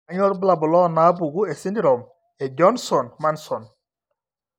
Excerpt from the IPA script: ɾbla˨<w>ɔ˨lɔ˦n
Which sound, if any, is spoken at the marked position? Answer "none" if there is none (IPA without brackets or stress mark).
b